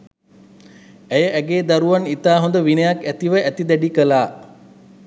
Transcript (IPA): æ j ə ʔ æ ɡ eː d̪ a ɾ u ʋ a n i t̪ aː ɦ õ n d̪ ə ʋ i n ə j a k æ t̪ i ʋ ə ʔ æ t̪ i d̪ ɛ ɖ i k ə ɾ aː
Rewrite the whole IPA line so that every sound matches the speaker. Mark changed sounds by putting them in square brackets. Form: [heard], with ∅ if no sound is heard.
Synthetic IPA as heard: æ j ə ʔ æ ɡ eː d̪ a ɾ u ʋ a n i t̪ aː ɦ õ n d̪ ə ʋ i n ə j a k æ t̪ i ʋ ə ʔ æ t̪ i d̪ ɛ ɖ i k ə [l] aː